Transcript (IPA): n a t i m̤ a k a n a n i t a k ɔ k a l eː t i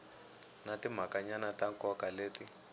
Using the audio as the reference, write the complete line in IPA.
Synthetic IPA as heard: n a t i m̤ a k a ɲ a n a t a k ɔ k a l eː t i